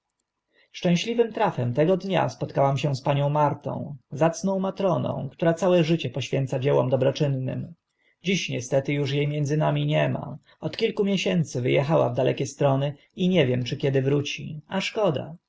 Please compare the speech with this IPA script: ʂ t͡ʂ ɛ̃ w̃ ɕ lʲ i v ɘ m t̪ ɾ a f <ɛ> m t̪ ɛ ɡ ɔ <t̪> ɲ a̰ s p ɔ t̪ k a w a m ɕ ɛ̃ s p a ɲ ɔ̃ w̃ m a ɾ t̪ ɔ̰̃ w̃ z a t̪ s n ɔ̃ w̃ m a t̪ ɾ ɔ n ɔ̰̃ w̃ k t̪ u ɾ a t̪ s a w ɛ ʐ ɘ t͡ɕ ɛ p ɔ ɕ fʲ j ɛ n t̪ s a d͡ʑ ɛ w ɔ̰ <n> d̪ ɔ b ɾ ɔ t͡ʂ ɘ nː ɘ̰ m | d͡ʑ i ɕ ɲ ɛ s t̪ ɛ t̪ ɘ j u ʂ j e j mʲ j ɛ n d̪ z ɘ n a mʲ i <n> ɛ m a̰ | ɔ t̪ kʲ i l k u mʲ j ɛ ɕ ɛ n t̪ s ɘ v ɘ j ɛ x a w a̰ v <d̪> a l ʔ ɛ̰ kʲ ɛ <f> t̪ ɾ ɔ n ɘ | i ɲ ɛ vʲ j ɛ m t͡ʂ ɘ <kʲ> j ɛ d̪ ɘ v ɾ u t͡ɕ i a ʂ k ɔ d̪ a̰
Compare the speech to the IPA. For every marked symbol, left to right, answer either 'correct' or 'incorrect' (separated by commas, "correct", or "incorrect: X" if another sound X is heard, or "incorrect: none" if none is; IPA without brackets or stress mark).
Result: correct, incorrect: d̪, incorrect: m, incorrect: ɲ, correct, incorrect: s, correct